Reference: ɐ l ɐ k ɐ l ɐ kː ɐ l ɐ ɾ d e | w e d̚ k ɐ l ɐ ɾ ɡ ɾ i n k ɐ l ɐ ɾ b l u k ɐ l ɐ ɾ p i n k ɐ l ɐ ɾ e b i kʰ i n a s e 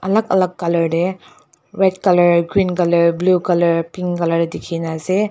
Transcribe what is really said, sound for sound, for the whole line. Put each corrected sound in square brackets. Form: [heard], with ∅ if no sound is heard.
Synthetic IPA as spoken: ɐ l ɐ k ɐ l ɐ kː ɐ l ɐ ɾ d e | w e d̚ k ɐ l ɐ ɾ ɡ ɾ i n k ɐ l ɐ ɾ b l u k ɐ l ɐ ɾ p i [ŋ] k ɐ l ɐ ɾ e [d] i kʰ i n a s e